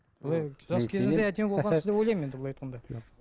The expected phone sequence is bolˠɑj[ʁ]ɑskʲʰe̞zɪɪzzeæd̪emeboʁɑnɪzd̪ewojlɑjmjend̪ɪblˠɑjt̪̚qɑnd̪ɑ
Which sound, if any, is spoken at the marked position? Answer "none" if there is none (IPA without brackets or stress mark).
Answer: ʒ